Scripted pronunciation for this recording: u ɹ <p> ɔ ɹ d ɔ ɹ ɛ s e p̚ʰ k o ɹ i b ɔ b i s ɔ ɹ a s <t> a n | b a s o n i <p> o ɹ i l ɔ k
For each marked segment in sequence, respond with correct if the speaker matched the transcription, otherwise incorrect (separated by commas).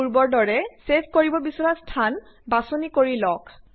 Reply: incorrect, incorrect, incorrect